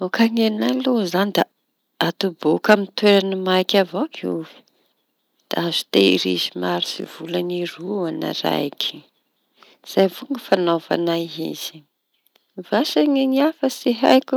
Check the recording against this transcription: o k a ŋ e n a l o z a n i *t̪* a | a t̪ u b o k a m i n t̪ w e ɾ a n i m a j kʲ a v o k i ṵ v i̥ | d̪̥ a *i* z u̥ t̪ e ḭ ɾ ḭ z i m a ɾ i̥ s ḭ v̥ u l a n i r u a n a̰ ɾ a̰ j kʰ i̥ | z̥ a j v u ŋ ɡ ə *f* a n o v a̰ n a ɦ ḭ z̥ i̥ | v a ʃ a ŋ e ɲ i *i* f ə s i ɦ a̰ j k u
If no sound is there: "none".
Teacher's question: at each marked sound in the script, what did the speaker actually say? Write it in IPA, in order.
d̪, a, f, a

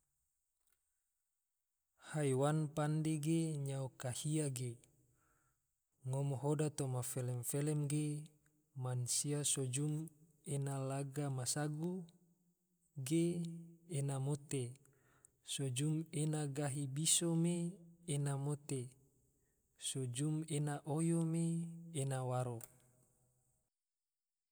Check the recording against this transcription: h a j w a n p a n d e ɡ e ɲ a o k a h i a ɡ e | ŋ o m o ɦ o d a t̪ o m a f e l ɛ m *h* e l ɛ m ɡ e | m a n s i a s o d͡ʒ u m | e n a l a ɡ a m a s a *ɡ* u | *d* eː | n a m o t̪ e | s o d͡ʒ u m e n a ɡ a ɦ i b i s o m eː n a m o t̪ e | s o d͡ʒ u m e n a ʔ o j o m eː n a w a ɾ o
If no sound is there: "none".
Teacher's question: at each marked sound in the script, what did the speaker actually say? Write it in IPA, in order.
f, ɡ, ɡ

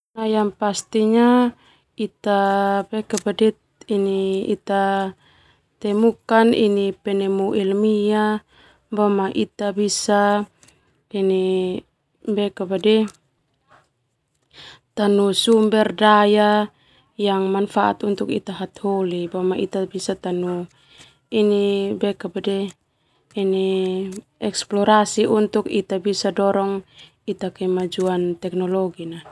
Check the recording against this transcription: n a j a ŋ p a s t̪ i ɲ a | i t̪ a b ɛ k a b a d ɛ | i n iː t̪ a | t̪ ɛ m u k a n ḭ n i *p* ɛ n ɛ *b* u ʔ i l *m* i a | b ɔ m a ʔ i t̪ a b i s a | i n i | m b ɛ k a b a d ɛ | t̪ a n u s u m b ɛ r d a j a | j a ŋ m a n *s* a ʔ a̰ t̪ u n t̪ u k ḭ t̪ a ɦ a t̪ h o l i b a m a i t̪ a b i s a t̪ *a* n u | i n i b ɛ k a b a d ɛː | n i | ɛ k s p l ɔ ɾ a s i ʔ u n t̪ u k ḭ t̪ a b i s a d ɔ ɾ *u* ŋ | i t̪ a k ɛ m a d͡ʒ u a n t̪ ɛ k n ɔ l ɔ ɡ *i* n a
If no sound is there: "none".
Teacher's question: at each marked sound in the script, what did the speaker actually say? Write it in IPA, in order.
p, m, m, f, a, ɔ, i

